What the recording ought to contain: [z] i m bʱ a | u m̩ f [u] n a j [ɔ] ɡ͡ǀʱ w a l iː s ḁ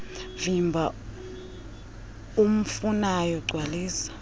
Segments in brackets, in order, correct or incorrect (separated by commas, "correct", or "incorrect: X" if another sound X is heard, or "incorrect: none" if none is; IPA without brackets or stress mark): incorrect: v, correct, correct